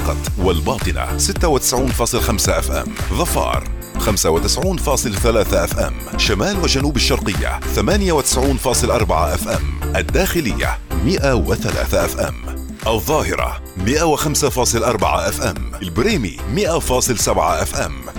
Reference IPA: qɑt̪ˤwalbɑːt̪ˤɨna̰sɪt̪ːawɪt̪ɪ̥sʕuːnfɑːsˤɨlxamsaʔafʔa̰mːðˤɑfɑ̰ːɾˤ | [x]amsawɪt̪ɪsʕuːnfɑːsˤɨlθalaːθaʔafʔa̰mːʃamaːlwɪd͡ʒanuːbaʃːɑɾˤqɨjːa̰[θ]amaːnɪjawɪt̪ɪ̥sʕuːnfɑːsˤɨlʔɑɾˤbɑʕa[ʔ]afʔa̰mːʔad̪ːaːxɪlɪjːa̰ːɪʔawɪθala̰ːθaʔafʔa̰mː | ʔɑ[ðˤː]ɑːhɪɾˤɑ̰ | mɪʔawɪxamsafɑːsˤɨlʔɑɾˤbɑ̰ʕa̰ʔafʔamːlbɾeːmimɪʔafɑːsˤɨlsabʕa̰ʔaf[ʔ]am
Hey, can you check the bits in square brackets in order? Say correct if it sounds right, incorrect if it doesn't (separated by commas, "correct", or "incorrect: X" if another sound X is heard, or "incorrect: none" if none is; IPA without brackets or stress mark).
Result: correct, correct, correct, correct, correct